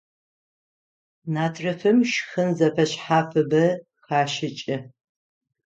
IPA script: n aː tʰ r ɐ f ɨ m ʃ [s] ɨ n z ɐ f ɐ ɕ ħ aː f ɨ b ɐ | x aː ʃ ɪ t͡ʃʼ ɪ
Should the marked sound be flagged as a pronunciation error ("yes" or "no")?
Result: yes